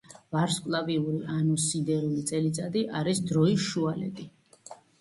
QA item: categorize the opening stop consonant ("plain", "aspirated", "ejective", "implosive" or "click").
ejective